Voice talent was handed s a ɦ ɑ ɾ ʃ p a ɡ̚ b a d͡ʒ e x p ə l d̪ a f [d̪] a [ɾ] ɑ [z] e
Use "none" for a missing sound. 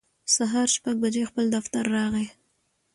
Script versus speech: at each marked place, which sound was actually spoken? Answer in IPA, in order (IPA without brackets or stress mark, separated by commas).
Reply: t̪, ɾː, ɣ